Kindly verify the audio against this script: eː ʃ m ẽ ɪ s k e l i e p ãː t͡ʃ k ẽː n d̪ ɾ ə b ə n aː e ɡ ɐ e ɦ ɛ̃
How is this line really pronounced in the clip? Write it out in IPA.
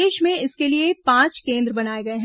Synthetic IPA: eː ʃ m ẽ ɪ s k e l i e p ãː t͡ʃ k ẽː n d̪ ɾ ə b ɐ n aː e ɡ ɐ e ɦ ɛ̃